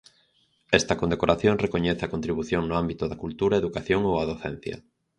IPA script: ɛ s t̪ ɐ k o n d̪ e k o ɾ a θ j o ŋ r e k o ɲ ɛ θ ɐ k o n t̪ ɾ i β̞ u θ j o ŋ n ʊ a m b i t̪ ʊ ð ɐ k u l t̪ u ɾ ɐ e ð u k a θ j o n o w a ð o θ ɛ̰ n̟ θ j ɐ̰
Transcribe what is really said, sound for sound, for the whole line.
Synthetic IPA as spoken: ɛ s t̪ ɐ k o n d̪ e k o ɾ a θ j o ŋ r e k o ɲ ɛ θ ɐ k o n t̪ ɾ i β̞ u θ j o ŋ n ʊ a m b i t̪ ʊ ð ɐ k u l t̪ u ɾ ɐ e ð u k a θ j o ŋ o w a ð o θ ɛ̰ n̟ θ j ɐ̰